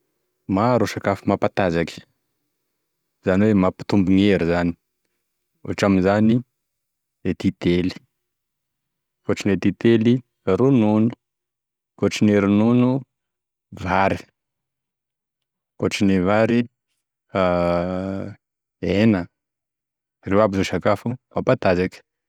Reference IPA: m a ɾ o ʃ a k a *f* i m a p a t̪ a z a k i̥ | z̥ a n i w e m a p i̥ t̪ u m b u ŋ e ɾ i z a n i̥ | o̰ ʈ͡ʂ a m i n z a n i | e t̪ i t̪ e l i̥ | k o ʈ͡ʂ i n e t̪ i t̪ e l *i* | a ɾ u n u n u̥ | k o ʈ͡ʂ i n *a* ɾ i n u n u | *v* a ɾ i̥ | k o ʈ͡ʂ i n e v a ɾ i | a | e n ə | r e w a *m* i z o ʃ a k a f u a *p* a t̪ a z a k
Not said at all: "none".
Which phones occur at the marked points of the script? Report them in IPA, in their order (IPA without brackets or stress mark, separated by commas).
f, i, e, v, b, p